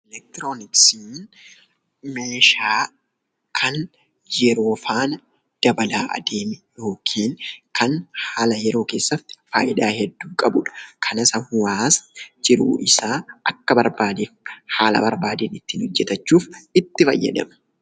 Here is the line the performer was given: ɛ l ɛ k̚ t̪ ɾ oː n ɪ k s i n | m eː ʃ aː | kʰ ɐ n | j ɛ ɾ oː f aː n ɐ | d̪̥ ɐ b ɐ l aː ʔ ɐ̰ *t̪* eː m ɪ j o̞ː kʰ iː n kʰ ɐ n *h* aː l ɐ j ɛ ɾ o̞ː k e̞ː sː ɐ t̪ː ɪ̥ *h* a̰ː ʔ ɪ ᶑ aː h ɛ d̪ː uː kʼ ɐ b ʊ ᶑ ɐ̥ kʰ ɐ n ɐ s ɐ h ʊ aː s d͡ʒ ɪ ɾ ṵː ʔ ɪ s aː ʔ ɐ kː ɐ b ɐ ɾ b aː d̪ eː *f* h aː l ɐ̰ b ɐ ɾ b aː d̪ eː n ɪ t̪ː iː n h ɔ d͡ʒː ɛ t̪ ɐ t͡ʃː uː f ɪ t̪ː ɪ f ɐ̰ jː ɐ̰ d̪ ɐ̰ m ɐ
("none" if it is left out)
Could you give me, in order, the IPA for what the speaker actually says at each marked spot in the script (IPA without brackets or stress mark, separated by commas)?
d̪, h, f, f